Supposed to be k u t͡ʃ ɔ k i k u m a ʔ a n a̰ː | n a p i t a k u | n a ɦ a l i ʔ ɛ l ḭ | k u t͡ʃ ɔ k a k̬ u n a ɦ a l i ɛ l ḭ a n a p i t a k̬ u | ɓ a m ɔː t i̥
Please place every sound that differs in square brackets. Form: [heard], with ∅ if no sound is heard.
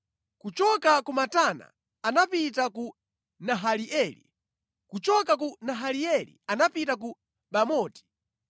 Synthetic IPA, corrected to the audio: k u t͡ʃ ɔ k [a] k u m a [t] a n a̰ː | n a p i t a k u | n a ɦ a l i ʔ ɛ l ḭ | k u t͡ʃ ɔ k a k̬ u n a ɦ a l i ɛ l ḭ a n a p i t a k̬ u | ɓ a m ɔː t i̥